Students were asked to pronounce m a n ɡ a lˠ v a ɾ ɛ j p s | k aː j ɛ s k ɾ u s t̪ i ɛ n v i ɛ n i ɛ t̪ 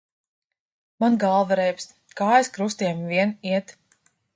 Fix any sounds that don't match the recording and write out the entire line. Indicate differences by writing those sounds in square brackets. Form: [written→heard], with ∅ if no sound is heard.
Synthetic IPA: m a n ɡ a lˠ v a ɾ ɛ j p s | k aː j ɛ s k ɾ u s t̪ i ɛ [n→m] v i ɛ n i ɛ t̪